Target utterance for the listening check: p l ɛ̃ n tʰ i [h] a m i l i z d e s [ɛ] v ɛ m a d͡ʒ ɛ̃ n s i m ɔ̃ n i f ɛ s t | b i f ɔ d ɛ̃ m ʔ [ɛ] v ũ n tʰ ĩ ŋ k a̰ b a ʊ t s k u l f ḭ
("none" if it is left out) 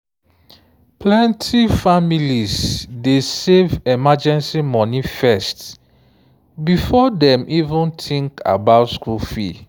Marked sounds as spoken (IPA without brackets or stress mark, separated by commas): f, e, i